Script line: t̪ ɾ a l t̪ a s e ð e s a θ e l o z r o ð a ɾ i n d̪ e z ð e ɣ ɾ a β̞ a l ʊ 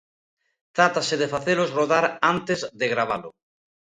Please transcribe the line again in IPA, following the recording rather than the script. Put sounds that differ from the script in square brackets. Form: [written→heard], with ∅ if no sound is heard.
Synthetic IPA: t̪ ɾ a [l→∅] t̪ a s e ð e [s→f] a θ e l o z r o ð a ɾ [i→a] n [d̪→t̪] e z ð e ɣ ɾ a β̞ a l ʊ